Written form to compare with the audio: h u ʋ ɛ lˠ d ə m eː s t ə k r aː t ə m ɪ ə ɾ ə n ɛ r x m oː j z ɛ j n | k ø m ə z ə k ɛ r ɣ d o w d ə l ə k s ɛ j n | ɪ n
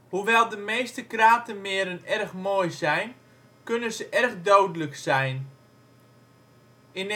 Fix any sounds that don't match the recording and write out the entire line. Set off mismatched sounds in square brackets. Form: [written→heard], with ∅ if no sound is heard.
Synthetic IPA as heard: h u ʋ ɛ lˠ d ə m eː s t ə k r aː t ə m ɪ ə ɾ ə n ɛ r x m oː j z ɛ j n | k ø [m→n] ə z ə [k→ʔ] ɛ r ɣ d o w d ə l ə k s ɛ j n | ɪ n